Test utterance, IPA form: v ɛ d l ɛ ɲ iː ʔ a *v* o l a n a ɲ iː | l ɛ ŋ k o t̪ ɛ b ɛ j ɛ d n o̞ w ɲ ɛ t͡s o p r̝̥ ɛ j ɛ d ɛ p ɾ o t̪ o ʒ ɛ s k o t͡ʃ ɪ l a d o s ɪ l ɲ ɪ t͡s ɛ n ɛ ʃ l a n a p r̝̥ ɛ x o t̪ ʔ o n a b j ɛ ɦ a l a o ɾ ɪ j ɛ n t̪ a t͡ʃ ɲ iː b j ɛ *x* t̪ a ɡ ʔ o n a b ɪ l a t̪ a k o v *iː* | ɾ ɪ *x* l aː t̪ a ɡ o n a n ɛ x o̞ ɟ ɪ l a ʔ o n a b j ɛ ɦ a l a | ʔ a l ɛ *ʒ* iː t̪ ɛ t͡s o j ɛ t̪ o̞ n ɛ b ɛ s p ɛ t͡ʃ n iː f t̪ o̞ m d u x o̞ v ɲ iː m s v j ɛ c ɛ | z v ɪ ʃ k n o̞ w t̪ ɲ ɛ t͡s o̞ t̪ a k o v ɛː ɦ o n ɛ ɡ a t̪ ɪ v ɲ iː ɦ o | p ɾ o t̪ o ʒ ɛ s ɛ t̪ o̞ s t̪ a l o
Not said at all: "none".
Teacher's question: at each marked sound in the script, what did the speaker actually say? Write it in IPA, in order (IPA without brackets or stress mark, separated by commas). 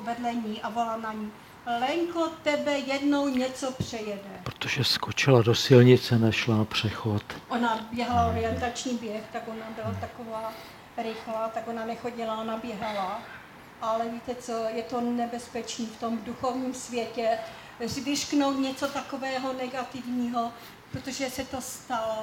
v, x, aː, x, v